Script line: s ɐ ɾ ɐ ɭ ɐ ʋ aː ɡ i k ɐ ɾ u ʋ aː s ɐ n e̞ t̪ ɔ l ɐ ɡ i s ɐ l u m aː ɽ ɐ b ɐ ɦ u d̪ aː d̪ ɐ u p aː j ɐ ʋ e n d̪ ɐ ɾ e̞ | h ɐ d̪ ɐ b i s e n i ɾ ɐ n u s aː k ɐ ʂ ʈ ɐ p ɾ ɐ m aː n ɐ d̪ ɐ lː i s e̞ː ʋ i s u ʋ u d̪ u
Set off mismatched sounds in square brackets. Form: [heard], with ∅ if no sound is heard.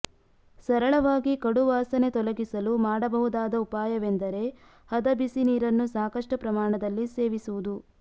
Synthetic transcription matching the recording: s ɐ ɾ ɐ ɭ ɐ ʋ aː ɡ i k ɐ [ɽ] u ʋ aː s ɐ n e̞ t̪ ɔ l ɐ ɡ i s ɐ l u m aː ɽ ɐ b ɐ ɦ u d̪ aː d̪ ɐ u p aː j ɐ ʋ e n d̪ ɐ ɾ e̞ | h ɐ d̪ ɐ b i s [i] n [iː] ɾ ɐ [nː] u s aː k ɐ ʂ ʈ ɐ p ɾ ɐ m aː [ɳ] ɐ d̪ ɐ lː i s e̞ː ʋ i s u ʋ u d̪ u